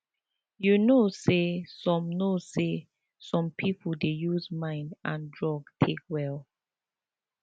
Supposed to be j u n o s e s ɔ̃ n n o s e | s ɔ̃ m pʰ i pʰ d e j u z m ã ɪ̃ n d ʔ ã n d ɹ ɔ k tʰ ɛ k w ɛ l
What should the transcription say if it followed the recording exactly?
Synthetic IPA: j u n o s e s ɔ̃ m n o s e | s ɔ̃ m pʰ i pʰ d e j u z m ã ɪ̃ n d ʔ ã n d ɹ ɔ ɡ tʰ e k w ɛ l